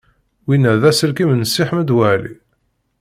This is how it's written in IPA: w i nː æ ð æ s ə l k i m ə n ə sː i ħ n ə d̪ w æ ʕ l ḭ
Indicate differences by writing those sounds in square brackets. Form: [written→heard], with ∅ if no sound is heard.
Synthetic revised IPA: w i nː æ ð æ s ə l k i m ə n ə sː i ħ [n→m] ə d̪ w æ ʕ l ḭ